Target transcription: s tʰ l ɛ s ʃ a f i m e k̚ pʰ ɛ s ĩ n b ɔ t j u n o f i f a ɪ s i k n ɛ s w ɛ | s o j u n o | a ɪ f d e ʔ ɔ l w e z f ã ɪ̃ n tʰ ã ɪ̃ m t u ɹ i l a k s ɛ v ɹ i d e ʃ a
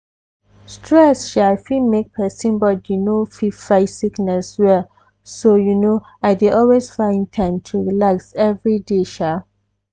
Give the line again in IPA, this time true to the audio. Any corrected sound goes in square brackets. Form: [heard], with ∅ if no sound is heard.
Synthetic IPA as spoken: s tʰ [ɹ] ɛ s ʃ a f i m e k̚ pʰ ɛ s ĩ n b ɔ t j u n o f i f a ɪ s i k n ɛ s w ɛ | s o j u n o | a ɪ [∅] d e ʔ ɔ l w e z f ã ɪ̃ n tʰ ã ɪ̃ m [tʰ] u ɹ i l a k s ɛ v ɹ i d e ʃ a